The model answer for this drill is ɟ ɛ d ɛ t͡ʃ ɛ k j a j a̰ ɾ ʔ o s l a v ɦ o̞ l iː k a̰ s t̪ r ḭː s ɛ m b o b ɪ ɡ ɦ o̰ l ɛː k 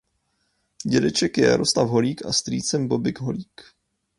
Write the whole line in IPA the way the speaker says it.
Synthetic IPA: ɟ ɛ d ɛ t͡ʃ ɛ k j ɛ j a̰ ɾ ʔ o s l a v ɦ o̞ l iː k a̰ s t̪ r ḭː t͡s ɛ m b o b ɪ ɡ ɦ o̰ l iː k